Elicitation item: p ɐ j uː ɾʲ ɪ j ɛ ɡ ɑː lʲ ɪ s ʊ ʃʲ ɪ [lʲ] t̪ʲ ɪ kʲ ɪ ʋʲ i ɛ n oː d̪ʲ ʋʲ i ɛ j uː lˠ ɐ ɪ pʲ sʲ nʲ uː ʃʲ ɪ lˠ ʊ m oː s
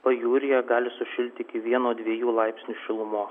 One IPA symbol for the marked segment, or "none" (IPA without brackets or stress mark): lʲ